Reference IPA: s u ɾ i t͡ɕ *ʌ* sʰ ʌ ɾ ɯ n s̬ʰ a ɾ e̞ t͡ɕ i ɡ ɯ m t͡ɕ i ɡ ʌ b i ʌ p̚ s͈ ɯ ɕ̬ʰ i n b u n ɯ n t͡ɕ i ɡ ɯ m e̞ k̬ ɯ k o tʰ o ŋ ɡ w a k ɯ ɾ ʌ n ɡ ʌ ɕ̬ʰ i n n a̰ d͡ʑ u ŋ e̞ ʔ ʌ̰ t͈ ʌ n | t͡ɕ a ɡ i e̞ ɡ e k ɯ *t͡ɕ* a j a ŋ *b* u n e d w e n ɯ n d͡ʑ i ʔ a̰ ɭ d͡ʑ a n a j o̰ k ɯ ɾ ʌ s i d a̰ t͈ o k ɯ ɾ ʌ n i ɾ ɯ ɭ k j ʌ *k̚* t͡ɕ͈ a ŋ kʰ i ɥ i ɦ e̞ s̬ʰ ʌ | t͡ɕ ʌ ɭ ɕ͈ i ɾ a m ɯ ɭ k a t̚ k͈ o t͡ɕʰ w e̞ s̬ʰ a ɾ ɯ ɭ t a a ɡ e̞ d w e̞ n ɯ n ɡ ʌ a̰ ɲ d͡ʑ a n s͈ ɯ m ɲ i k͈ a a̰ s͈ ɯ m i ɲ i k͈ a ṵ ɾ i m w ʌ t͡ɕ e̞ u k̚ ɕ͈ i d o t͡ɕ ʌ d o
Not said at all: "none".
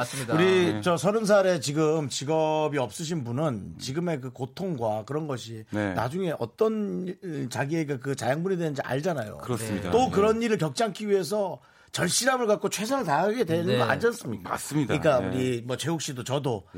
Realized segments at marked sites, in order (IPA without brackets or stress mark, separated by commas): ʌ, t͡ɕ, b, k̚